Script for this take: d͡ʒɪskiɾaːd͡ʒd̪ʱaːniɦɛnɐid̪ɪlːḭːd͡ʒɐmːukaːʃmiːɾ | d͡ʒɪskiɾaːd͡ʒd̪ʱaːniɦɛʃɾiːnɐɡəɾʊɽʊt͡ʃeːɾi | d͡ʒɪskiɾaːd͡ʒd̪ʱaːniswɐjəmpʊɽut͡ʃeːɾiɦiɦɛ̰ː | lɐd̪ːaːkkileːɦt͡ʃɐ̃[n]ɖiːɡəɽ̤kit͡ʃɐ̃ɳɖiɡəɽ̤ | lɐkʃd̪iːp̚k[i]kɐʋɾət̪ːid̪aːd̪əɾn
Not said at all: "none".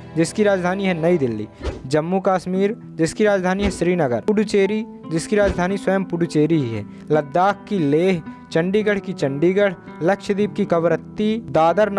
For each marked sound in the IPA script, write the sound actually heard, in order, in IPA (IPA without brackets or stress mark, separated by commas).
ɳ, i